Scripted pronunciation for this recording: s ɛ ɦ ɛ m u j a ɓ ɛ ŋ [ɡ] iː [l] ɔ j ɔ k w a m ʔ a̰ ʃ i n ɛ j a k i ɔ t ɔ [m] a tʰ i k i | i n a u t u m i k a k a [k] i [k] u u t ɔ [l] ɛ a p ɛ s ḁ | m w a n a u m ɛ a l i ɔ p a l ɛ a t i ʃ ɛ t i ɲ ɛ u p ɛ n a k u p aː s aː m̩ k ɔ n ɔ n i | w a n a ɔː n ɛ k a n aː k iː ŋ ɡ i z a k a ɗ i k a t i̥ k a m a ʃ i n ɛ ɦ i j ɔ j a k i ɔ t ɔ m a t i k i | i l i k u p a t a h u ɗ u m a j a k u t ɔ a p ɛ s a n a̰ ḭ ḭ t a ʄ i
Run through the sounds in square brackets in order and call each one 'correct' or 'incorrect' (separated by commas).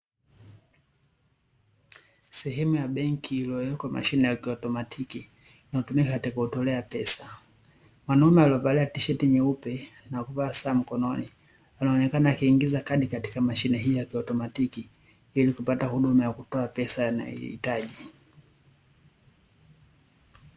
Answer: incorrect, correct, correct, incorrect, correct, correct